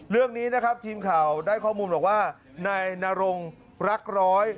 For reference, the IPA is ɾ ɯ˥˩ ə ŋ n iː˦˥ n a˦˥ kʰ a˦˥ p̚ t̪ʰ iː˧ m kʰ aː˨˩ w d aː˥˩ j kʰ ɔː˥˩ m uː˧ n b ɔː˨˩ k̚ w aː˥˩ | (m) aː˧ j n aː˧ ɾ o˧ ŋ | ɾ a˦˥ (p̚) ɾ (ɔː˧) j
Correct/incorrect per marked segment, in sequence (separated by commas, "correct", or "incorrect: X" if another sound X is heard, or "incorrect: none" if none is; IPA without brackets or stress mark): incorrect: n, incorrect: k̚, incorrect: ɔː˦˥